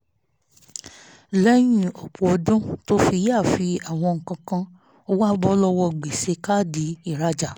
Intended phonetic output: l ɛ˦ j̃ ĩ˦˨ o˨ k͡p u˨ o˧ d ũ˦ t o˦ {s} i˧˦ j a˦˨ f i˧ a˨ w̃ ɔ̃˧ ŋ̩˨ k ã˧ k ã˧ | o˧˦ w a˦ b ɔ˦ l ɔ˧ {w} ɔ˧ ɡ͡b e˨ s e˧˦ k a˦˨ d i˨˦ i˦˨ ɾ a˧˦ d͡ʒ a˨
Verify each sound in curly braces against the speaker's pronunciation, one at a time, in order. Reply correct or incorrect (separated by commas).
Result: incorrect, correct